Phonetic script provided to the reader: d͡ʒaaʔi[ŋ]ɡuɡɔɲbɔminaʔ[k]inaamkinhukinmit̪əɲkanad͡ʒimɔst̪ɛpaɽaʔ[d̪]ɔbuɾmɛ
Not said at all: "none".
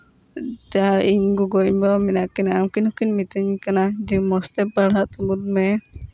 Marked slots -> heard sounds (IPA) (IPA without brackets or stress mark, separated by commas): ɲ, k, t̪